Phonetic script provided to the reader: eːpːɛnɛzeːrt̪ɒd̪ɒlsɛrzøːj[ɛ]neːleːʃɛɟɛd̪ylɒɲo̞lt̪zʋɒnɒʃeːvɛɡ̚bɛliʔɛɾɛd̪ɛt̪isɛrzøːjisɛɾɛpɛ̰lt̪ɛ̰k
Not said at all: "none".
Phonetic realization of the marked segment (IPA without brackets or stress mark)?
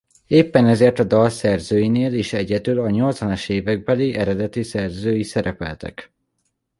i